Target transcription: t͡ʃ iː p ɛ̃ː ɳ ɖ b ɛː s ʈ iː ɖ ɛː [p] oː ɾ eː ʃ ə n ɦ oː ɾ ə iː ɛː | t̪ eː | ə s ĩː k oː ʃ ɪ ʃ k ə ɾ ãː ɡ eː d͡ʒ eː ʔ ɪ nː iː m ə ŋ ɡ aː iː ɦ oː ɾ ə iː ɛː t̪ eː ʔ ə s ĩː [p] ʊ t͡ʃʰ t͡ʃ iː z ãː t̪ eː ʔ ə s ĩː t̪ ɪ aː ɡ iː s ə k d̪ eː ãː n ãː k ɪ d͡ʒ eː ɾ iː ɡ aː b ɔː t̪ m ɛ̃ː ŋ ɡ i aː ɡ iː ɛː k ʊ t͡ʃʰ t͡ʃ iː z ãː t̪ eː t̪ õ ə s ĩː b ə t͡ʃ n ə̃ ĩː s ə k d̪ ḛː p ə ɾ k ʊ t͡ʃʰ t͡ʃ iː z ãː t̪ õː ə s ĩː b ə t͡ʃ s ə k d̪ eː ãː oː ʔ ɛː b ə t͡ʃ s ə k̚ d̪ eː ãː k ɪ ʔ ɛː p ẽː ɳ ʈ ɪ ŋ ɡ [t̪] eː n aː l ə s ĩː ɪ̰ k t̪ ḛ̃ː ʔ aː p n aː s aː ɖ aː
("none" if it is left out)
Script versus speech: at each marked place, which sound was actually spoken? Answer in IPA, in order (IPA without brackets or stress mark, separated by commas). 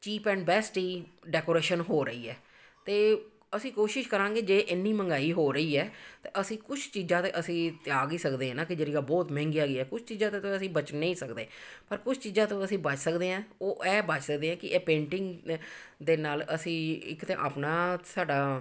k, k, d̪